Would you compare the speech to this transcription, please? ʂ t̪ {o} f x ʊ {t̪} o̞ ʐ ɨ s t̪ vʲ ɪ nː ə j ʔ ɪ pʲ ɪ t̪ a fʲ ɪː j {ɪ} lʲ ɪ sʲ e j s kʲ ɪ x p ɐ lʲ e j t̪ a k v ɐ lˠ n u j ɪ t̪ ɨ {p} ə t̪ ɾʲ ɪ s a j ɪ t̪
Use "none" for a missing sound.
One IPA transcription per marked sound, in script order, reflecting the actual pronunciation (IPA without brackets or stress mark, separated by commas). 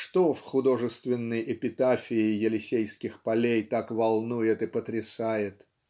o, d̪, ɪ, p